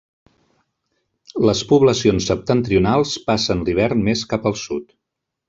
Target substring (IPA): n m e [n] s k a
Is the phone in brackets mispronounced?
yes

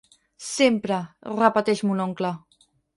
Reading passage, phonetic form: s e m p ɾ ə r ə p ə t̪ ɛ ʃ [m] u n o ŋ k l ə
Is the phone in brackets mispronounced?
no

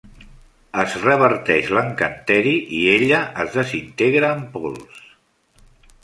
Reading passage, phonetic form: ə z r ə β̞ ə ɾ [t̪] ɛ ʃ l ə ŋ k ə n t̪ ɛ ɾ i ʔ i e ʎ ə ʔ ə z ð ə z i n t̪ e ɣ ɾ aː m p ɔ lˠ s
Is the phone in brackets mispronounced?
no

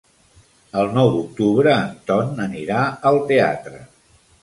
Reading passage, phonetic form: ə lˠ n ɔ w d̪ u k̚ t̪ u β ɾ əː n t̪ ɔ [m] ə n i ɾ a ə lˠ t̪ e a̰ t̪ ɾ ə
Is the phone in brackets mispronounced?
yes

